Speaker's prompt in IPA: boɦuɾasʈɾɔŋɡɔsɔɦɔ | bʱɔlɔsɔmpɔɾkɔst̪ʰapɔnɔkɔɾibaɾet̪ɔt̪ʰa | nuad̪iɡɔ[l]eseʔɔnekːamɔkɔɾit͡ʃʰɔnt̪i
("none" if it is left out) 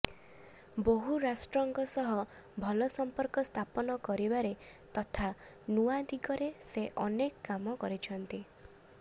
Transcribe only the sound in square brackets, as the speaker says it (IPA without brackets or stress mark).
ɾ